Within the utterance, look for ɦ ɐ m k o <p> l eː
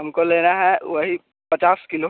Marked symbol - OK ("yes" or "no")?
no